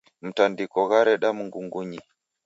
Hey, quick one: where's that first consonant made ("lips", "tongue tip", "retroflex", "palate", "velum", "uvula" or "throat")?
lips